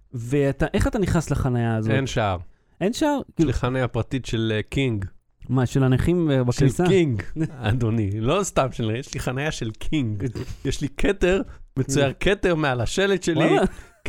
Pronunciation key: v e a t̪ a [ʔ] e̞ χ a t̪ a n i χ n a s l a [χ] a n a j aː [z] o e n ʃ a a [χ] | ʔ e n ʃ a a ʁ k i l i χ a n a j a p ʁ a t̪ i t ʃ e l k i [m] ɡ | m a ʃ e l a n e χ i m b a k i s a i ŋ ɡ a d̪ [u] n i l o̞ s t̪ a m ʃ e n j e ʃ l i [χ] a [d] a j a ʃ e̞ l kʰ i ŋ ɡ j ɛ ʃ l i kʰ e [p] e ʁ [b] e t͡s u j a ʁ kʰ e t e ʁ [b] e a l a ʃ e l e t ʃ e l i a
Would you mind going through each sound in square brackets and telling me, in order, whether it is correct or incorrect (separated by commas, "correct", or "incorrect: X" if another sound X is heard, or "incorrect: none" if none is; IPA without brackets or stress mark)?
correct, correct, correct, incorrect: ʁ, incorrect: ŋ, incorrect: o, correct, incorrect: n, incorrect: t, incorrect: m, incorrect: m